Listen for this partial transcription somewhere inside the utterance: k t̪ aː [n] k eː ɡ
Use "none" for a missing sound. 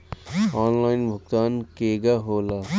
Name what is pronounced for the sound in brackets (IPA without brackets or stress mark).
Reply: n